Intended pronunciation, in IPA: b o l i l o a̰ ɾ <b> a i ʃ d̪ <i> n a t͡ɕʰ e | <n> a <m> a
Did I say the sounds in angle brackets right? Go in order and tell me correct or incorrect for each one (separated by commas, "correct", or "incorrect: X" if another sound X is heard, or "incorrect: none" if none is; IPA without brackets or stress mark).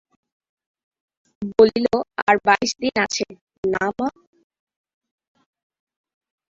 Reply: correct, correct, correct, correct